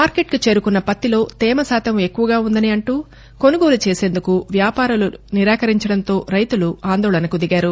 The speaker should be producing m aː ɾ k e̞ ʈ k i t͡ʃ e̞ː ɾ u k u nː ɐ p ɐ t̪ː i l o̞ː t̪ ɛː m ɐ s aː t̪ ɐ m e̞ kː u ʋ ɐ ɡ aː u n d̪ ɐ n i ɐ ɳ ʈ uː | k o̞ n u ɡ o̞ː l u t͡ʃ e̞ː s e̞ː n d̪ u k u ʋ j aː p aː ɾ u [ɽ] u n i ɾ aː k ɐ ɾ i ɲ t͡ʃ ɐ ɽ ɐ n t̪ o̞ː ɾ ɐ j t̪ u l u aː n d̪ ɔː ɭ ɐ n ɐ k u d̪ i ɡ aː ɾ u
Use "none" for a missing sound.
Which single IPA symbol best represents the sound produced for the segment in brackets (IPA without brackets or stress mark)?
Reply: l